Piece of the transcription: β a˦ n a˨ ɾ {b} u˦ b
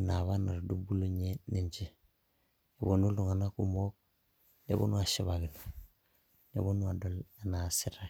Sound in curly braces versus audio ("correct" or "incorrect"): incorrect